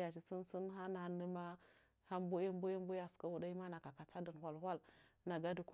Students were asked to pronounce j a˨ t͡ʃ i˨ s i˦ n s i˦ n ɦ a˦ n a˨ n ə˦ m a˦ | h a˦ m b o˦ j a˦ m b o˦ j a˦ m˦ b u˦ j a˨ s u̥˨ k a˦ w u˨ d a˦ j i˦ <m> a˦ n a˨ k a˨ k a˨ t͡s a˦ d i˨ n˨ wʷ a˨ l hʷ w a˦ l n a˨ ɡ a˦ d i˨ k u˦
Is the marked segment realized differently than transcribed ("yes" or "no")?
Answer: no